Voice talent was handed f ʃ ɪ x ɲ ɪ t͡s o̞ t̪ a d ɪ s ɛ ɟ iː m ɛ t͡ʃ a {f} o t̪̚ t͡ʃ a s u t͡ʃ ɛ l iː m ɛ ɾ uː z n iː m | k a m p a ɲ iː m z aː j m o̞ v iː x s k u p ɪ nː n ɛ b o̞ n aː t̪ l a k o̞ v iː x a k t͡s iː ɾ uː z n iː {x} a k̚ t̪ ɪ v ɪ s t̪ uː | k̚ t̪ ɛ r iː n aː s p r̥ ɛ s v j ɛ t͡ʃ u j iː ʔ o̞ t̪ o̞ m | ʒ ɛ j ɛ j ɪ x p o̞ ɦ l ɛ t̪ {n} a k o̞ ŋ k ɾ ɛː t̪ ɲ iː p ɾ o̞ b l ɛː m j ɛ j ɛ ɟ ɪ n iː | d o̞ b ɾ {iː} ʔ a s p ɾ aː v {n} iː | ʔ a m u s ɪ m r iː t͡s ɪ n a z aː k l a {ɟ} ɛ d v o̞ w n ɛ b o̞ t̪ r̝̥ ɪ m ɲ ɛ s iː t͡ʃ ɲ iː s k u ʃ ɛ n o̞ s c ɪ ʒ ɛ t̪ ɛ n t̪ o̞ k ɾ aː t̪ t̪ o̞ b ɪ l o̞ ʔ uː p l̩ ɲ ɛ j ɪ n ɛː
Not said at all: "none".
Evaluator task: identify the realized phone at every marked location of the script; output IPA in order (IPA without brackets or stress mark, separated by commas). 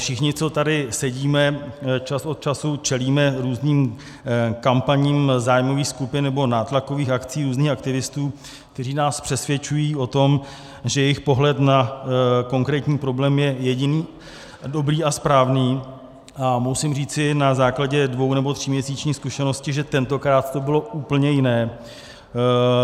s, x, n, iː, n, ɟ